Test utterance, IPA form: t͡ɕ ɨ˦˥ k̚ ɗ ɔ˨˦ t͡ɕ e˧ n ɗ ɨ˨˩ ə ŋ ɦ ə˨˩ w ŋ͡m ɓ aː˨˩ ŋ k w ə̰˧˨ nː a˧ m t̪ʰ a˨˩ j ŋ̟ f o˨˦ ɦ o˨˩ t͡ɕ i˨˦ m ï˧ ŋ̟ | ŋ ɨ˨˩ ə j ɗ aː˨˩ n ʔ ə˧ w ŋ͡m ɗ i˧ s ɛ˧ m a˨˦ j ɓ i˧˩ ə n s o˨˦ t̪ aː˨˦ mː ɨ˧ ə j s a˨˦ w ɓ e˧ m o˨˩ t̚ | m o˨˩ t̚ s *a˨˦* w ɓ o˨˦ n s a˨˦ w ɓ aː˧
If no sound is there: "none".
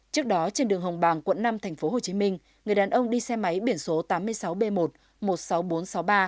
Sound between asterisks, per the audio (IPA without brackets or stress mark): a˨˦